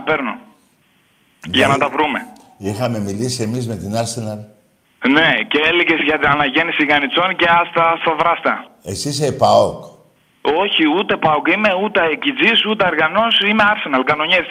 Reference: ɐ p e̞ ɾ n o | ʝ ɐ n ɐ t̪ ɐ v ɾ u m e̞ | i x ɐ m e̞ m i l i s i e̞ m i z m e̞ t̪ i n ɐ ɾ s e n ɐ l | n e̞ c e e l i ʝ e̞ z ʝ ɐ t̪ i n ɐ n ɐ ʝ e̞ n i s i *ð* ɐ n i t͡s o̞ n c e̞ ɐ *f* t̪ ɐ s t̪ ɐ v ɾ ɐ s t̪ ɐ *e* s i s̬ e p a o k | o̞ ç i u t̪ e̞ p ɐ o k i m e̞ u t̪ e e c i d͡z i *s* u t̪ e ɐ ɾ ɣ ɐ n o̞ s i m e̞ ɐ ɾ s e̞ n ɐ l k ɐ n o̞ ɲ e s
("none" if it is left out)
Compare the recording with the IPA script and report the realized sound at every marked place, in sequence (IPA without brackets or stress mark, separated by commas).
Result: ɣ, s, e, s